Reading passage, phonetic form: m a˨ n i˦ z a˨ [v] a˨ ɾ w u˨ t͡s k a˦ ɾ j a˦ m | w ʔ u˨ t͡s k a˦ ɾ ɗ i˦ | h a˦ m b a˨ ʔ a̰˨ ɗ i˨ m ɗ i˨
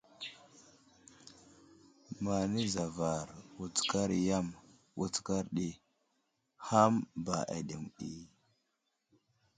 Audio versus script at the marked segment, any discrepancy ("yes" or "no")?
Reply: no